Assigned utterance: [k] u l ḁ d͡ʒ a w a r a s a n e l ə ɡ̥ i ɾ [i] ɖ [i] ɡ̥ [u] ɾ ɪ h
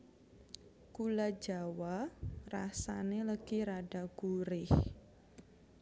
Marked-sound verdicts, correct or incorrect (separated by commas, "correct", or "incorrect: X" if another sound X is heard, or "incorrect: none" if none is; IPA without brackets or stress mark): correct, incorrect: a, incorrect: a, correct